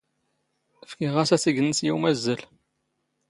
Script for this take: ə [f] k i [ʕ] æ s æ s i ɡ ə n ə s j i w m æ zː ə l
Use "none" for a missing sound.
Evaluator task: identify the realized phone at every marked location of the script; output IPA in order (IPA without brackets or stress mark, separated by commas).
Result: f, ʁ